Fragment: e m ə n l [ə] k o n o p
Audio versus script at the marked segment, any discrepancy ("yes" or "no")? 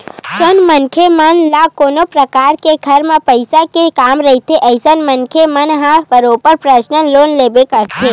yes